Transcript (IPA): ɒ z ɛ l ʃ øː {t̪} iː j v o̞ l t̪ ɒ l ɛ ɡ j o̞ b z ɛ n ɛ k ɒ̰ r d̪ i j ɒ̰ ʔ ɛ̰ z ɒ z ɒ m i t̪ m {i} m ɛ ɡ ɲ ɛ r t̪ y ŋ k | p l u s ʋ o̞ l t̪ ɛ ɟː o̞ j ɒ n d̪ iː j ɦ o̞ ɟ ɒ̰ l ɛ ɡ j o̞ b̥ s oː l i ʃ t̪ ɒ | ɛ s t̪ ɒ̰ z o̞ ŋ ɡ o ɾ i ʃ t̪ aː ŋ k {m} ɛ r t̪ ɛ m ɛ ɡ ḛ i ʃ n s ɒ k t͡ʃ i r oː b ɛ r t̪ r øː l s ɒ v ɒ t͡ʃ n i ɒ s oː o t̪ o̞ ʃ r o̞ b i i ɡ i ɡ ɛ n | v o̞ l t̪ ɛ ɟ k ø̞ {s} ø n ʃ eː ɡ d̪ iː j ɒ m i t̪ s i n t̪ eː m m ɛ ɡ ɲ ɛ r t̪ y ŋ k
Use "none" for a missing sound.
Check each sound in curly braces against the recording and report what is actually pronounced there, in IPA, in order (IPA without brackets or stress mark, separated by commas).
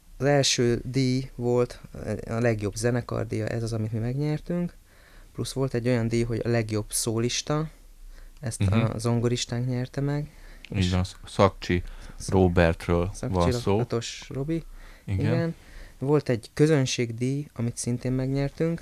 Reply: d̪, i, ɲ, z